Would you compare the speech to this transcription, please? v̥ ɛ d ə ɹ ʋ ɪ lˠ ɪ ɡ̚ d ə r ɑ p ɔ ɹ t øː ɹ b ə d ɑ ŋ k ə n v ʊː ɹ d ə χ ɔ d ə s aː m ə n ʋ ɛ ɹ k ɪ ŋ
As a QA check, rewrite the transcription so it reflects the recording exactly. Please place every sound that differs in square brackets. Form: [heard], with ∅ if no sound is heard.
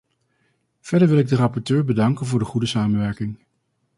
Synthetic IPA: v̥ ɛ d ə ɹ ʋ ɪ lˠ ɪ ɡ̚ d ə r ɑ p ɔ ɹ t øː ɹ b ə d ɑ ŋ k ə n v ʊː ɹ d ə χ [u] d ə s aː m ə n ʋ ɛ ɹ k ɪ ŋ